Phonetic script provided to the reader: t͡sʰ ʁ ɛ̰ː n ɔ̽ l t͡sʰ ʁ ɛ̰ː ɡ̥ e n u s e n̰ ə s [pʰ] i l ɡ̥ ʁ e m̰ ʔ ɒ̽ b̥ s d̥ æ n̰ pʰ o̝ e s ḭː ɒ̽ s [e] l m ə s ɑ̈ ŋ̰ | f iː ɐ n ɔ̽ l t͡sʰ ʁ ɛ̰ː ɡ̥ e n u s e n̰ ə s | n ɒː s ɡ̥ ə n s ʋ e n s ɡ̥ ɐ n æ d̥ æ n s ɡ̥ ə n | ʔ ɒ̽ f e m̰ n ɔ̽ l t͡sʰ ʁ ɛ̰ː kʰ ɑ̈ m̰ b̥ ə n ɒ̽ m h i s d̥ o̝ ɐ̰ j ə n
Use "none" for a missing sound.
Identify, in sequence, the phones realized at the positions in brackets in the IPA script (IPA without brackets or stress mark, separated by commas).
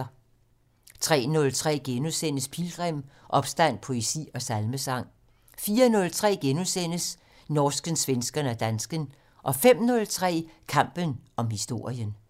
pʰ, æ